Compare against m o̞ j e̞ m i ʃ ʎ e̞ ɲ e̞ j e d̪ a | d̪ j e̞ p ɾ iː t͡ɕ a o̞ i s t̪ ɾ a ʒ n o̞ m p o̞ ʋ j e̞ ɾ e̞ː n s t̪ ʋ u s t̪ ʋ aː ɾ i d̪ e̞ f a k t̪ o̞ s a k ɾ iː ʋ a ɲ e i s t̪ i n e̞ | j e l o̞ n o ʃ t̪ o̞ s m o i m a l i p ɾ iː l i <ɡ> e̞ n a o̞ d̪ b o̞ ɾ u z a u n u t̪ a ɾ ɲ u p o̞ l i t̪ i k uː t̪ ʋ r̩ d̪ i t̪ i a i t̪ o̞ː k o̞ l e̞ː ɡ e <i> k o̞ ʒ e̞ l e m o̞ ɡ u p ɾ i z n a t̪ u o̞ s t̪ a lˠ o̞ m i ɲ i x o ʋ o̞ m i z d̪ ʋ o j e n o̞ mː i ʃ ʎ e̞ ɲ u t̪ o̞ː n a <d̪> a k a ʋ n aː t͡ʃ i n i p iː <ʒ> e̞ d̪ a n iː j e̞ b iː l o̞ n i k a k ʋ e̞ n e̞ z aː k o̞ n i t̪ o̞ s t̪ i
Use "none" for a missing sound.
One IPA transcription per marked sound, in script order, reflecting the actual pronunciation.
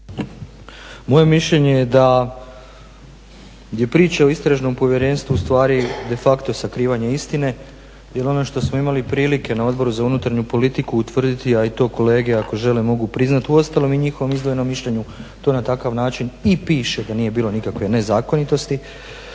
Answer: k, a, t̪, ʃ

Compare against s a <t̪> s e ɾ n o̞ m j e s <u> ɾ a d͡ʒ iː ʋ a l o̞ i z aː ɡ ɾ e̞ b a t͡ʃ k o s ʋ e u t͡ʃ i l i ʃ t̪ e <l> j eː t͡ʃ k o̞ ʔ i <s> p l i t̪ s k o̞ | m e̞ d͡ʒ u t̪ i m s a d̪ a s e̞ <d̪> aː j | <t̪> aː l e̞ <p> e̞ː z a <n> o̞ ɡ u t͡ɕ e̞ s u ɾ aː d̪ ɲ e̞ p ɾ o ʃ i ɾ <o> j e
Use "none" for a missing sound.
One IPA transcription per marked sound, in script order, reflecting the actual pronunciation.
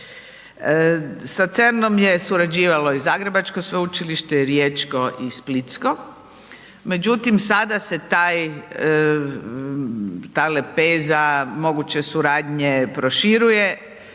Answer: t̪, u, ɾ, s, t̪, t̪, p, m, u

